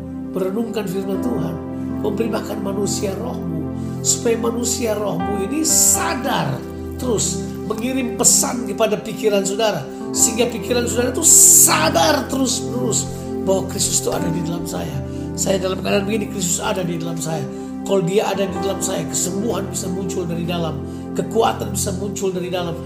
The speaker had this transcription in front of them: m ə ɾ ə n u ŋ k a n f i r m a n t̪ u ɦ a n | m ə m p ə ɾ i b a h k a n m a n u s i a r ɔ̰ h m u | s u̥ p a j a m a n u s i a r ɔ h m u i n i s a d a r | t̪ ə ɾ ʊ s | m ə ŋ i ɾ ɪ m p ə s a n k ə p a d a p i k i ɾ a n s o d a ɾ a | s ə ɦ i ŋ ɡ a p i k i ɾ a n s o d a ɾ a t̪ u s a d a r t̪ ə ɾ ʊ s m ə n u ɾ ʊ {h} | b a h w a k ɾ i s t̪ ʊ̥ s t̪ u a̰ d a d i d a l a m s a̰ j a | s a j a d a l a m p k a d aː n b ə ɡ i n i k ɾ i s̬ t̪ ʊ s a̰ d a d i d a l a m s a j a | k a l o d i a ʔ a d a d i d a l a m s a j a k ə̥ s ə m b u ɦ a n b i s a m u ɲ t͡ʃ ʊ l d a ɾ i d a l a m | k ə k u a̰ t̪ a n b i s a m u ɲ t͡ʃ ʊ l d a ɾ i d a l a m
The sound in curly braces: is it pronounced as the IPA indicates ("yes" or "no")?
no